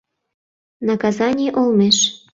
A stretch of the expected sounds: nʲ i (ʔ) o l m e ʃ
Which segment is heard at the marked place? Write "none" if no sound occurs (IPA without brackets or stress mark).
ʔ